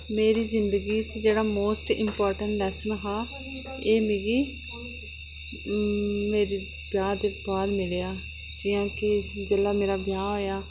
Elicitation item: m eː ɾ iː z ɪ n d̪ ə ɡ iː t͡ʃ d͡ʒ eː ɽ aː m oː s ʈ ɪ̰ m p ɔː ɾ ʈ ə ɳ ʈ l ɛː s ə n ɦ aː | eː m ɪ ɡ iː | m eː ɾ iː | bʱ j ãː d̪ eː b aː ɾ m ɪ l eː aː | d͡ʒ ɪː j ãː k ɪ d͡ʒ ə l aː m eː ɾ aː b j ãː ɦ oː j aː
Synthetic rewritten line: m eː ɾ iː z ɪ n d̪ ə ɡ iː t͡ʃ d͡ʒ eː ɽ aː m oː s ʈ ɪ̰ m p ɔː ɾ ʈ ə ɳ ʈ l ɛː s ə n ɦ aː | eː m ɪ ɡ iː | m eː ɾ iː | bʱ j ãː d̪ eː b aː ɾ m ɪ l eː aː | d͡ʒ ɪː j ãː k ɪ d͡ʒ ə l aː m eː ɾ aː b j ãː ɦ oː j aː